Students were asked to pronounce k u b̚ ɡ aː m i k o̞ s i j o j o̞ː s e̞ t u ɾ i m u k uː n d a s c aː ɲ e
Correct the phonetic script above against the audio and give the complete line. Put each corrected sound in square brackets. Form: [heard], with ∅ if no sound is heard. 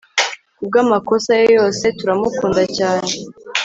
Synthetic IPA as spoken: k u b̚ ɡ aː m [a] k o̞ s [a] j o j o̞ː s e̞ t u ɾ [a] m u k uː n d a [∅] c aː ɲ e